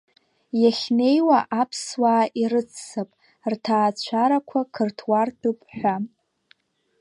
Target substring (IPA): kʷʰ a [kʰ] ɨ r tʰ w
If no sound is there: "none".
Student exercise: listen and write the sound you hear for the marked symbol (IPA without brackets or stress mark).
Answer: kʰ